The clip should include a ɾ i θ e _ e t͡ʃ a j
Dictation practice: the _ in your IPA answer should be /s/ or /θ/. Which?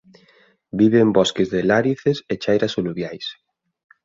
s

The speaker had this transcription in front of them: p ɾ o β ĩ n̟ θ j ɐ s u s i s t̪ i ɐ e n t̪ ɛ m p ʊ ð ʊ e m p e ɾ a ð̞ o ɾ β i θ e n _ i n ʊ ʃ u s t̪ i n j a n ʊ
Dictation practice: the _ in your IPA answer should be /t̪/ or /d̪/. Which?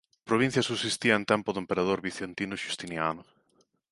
t̪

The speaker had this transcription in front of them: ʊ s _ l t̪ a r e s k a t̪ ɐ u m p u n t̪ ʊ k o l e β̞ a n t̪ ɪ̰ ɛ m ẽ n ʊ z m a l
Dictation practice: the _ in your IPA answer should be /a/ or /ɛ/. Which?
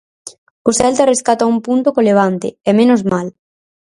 ɛ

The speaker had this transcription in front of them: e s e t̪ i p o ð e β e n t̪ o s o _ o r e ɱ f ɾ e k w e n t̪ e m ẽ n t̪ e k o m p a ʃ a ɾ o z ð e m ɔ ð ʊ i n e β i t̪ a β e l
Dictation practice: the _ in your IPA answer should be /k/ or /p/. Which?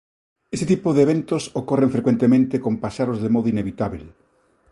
k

